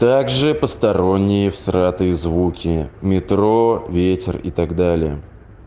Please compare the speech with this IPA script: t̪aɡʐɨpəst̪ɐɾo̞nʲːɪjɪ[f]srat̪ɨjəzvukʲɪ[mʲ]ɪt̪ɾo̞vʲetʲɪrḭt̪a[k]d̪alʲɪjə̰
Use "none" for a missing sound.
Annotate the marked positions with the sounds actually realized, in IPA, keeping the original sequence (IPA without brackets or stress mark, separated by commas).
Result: f, mʲ, ɡ